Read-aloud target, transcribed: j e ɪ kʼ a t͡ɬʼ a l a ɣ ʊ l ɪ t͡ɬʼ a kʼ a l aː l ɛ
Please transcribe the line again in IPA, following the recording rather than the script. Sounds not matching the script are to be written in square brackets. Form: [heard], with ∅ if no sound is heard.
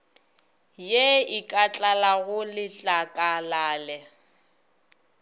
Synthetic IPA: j e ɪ kʼ a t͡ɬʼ a l a ɣ ʊ l ɪ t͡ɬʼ a kʼ a l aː l ɛ

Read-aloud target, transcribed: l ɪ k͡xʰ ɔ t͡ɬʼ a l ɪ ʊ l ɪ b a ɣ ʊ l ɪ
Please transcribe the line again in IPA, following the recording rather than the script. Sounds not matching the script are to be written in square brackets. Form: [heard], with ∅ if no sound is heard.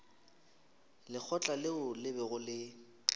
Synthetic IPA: l ɪ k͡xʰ ɔ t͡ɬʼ a l ɪ ʊ l ɪ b [ɛ] ɣ ʊ l ɪ

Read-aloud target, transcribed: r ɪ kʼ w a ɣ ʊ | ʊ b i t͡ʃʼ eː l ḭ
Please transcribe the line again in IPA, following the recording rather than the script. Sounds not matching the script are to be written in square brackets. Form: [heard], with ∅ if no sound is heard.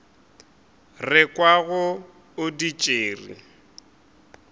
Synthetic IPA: r ɪ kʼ w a ɣ ʊ | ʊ [d] i t͡ʃʼ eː [r] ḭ

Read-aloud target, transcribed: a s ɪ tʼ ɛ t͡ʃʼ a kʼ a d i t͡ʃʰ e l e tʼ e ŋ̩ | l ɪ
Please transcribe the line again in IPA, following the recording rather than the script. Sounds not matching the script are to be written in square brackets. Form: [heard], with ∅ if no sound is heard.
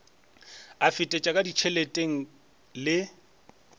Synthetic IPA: a [f] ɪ tʼ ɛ t͡ʃʼ a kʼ a d i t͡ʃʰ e l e tʼ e ŋ̩ | l ɪ

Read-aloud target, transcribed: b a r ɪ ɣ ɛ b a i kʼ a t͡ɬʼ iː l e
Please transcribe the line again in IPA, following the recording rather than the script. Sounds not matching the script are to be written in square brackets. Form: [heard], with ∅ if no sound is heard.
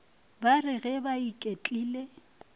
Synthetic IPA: b a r ɪ ɣ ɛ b a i kʼ [e] t͡ɬʼ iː l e

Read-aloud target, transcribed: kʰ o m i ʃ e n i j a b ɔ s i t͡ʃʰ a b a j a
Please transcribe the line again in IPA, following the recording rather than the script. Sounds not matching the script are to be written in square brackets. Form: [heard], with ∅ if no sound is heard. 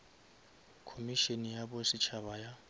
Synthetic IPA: kʰ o m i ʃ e n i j a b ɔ s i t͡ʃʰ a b a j a

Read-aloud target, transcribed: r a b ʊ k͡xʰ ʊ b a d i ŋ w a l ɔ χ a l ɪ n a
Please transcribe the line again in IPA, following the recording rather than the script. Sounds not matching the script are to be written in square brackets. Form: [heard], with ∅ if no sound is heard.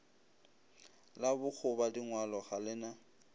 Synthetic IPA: [l] a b ʊ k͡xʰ ʊ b a d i ŋ w a l ɔ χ a l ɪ n a

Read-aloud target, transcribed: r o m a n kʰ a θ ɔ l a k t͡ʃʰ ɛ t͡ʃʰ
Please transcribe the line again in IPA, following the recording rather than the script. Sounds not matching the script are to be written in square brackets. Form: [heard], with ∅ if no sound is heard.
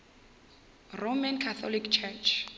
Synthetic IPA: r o m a n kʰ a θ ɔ l [i] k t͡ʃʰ ɛ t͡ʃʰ

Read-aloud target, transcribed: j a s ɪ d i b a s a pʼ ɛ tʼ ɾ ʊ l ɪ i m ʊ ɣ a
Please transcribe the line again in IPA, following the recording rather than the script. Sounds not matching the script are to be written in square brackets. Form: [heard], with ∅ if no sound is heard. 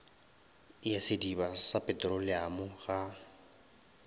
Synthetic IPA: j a s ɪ d i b a s a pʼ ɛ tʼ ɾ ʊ l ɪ [a] m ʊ ɣ a

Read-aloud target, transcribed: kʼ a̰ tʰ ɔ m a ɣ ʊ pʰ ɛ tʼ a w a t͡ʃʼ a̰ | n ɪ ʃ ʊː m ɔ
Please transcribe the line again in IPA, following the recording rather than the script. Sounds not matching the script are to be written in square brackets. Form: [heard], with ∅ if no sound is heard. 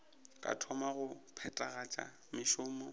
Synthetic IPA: kʼ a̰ tʰ ɔ m a ɣ ʊ pʰ ɛ tʼ a [ɣ] a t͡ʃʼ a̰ | [m] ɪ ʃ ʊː m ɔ

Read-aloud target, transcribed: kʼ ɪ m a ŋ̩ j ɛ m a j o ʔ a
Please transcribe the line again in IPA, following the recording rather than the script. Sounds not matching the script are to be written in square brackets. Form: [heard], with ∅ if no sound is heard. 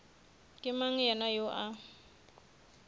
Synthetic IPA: kʼ ɪ m a ŋ̩ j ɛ [n] a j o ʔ a

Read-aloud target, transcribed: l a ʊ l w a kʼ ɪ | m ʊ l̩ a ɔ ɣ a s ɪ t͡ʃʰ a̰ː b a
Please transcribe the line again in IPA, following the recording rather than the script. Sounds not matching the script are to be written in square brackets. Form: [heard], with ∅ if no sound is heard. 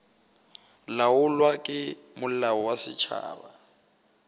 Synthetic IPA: l a ʊ l w a kʼ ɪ | m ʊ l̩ a ɔ [w] a s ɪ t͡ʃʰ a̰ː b a

